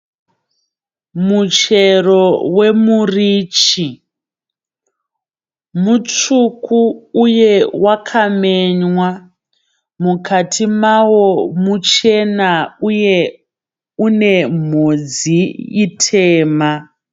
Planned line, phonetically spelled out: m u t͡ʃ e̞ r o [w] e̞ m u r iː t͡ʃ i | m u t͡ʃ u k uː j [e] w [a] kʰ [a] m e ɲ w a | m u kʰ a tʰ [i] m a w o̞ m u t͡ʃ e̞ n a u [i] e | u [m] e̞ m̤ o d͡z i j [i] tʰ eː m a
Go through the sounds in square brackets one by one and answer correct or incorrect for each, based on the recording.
correct, correct, correct, correct, correct, incorrect: j, incorrect: n, correct

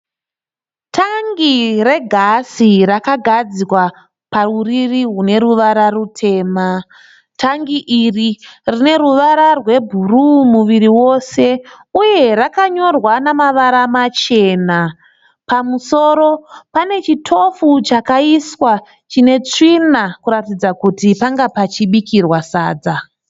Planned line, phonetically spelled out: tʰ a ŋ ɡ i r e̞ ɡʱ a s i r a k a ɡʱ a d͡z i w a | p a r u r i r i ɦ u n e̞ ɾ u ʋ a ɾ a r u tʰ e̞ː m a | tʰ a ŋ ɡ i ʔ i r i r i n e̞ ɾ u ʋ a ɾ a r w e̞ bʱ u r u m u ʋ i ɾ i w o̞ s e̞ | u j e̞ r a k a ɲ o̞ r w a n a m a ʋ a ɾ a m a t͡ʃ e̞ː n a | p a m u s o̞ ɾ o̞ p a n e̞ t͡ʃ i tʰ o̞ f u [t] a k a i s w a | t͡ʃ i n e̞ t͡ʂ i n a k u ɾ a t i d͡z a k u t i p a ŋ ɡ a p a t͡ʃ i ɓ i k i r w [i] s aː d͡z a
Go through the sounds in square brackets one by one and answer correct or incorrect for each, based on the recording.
incorrect: t͡ʃ, incorrect: a

